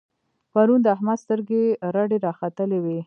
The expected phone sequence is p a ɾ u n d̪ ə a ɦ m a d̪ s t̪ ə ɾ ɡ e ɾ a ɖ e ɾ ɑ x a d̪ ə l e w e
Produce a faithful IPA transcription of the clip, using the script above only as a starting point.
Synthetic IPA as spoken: p a ɾ u n d̪ ə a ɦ m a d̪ s t̪ ə ɾ ɡ e ɾ a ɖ e ɾ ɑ x a t̪ ə l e w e